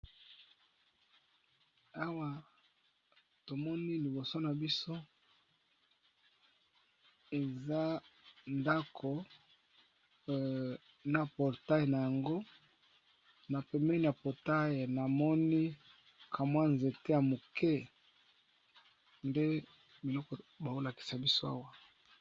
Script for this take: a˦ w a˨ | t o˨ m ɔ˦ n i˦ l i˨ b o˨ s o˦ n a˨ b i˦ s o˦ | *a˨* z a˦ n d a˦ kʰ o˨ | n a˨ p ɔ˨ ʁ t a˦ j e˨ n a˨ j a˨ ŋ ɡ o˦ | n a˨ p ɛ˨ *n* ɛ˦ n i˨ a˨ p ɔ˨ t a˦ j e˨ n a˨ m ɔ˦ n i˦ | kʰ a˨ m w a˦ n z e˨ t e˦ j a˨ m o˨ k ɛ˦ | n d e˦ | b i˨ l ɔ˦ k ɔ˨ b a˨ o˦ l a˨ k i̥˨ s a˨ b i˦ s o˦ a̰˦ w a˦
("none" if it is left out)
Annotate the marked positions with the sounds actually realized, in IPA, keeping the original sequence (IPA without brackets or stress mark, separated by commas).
e˨, m